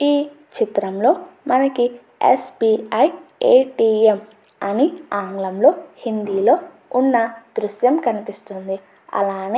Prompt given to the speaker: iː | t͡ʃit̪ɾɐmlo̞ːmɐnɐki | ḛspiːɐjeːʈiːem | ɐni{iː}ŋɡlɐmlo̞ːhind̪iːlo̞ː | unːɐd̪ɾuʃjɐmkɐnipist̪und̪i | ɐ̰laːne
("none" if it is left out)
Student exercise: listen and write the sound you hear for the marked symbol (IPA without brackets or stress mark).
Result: aː